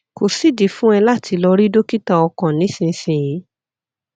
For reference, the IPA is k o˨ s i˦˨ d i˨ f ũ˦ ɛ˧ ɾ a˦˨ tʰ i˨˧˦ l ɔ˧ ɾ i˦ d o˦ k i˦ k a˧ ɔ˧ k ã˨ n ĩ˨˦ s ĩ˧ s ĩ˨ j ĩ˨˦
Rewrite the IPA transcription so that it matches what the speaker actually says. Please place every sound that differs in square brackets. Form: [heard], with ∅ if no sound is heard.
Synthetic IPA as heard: k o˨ s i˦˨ d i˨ f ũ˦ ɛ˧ [l] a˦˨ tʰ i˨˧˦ l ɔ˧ ɾ i˦ d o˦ k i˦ [t] a˧ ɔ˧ k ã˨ n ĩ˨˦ s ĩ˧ s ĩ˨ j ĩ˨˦